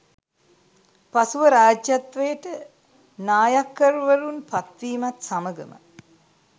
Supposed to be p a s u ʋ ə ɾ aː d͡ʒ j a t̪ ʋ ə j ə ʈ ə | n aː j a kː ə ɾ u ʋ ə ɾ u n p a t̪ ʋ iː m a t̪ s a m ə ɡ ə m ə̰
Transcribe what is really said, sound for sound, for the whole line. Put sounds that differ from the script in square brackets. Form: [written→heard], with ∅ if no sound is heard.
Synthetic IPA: p a s u ʋ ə ɾ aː d͡ʒ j a t̪ ʋ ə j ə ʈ ə | n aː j a kː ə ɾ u ʋ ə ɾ u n p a t̪ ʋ iː m a t̪ s a m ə ɡ ə m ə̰